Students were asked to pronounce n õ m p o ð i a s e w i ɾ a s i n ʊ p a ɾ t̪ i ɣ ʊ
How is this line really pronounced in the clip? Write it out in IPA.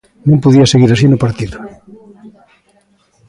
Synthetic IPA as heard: n õ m p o ð i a s e ɣ i ɾ a s i n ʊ p a ɾ t̪ i ð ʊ